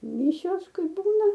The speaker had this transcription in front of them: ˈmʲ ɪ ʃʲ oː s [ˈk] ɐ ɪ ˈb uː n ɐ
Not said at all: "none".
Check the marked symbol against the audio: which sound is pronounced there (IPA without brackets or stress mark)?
k